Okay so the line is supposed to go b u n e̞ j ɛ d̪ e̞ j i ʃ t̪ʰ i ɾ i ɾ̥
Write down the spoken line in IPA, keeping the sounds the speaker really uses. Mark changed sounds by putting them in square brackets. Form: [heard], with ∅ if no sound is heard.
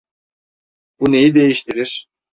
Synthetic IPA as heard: b u n e̞ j [i] d̪ e̞ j i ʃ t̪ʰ i ɾ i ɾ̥